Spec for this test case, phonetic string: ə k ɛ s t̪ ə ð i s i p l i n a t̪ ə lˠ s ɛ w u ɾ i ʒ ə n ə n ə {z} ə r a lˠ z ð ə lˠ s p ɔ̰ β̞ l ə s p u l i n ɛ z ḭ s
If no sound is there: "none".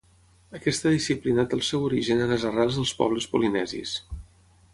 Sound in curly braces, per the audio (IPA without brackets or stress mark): z